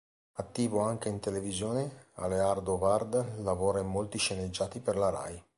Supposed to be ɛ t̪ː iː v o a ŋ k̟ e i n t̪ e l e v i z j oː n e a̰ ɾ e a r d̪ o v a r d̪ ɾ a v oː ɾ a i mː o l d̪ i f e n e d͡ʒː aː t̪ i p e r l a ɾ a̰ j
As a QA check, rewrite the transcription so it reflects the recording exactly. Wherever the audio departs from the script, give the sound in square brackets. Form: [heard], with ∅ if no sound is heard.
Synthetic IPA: [a] t̪ː iː v o a ŋ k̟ e i n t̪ e l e v i z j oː n e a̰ [l] e a r d̪ o v a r d̪ [l] a v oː ɾ a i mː o l [t̪] i [ʃ] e n e d͡ʒː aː t̪ i p e r l a ɾ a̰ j